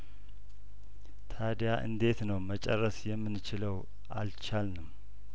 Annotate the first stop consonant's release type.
aspirated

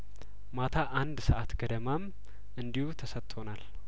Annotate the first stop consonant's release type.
aspirated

